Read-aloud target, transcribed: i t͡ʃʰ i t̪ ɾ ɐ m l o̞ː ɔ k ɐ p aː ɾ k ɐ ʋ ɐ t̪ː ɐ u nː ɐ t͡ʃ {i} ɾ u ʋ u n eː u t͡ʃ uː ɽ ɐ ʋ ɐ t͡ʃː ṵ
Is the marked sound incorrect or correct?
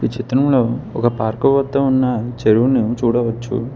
incorrect